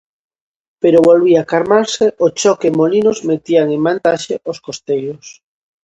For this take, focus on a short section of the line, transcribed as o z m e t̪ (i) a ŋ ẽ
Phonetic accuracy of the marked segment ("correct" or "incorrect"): correct